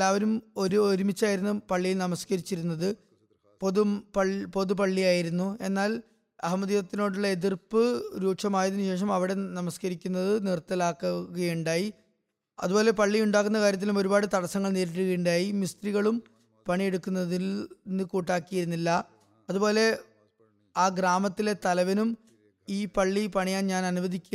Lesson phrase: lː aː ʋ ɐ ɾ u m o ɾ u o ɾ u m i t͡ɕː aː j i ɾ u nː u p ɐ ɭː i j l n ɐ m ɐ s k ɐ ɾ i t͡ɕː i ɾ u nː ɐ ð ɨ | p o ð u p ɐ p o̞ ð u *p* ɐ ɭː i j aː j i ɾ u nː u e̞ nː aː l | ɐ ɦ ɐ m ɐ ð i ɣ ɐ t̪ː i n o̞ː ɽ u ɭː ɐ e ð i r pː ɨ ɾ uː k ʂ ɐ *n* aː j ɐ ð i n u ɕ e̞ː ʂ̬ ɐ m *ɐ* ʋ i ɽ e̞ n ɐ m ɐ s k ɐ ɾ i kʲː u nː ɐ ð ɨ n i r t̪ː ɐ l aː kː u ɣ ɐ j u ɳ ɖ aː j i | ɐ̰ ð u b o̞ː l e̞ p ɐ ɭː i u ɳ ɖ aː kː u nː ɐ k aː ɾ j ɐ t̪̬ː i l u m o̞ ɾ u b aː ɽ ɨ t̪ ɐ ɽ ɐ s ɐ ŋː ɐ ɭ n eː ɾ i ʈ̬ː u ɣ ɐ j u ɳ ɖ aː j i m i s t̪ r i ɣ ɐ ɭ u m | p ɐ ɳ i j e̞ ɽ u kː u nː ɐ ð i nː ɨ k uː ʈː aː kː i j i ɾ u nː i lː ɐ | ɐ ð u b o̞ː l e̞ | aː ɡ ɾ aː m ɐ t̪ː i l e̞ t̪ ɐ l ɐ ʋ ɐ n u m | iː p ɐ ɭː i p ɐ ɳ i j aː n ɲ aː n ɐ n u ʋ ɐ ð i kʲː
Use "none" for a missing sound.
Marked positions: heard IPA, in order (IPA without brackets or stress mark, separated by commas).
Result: p, m, ɐ